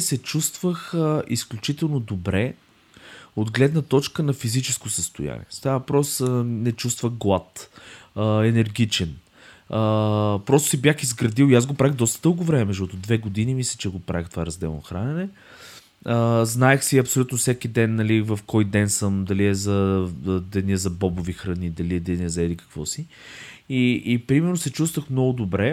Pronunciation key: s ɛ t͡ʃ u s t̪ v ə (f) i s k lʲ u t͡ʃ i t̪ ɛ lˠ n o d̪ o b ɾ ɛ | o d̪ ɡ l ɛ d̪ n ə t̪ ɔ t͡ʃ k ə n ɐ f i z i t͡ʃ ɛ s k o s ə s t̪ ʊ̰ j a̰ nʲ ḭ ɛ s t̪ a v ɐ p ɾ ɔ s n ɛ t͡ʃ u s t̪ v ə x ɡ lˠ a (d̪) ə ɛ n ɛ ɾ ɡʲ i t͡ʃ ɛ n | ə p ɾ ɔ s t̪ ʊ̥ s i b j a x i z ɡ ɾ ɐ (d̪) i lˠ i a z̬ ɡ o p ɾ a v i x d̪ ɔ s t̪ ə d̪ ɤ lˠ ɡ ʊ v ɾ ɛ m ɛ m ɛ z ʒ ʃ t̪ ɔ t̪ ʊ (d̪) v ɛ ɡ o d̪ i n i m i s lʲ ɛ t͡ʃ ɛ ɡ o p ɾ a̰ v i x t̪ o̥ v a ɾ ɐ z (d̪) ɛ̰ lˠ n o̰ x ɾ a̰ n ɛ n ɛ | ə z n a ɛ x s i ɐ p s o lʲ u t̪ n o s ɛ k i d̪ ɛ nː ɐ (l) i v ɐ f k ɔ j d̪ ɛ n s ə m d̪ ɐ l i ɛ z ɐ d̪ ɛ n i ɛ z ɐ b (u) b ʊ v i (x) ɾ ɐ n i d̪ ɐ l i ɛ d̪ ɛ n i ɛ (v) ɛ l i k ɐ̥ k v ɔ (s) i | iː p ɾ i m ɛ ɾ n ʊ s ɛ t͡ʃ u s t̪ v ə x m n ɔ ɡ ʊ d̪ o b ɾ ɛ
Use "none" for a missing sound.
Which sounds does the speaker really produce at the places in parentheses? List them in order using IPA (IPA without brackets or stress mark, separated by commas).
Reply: x, t̪, d̪, d̪, d̪, l, ɔ, x, z, s